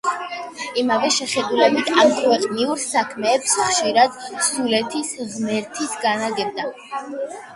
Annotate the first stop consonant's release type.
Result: plain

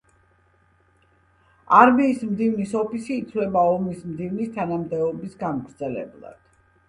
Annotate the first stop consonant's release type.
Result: plain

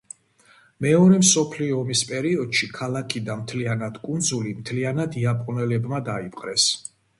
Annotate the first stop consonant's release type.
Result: aspirated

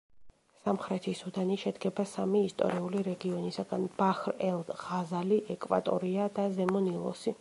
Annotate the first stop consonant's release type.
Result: aspirated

